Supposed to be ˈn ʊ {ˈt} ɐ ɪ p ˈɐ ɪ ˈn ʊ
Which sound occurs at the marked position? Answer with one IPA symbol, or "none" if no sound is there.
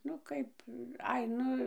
k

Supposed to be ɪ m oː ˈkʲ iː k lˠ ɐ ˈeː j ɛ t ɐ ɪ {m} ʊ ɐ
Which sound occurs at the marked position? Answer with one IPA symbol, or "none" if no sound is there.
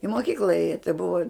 b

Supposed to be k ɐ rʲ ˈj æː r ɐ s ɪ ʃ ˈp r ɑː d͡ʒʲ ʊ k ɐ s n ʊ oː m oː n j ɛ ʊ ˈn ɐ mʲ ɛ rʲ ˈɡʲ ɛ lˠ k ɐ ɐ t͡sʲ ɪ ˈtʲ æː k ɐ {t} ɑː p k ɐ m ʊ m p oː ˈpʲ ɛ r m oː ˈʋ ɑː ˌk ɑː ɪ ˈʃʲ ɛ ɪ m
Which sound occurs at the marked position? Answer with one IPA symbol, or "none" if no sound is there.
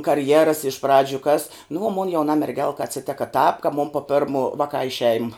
t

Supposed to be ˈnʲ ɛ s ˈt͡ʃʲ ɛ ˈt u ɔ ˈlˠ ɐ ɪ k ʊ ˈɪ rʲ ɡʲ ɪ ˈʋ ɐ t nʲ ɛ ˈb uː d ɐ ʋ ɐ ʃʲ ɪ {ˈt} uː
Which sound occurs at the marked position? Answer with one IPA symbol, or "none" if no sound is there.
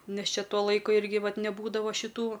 t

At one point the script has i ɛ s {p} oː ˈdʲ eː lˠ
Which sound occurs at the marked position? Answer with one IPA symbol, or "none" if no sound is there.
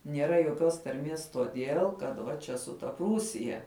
t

